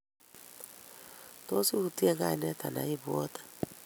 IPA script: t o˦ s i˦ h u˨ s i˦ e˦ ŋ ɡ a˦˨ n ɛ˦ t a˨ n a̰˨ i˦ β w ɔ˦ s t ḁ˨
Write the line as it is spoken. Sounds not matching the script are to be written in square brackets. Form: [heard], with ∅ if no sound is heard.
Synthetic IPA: t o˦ s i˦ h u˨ [t] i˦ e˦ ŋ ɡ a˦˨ n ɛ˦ t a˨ n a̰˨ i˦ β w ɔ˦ [∅] t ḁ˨